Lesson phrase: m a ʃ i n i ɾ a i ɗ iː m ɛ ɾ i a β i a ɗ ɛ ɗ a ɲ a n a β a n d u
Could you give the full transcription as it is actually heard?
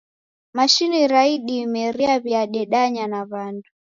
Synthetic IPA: m a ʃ i n i ɾ a i ɗ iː m ɛ ɾ i a β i a ɗ ɛ ɗ a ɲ a n a β a n d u